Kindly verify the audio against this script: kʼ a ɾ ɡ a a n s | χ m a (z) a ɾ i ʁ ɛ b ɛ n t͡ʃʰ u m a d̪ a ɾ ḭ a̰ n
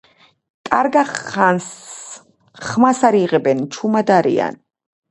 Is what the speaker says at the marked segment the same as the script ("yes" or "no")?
no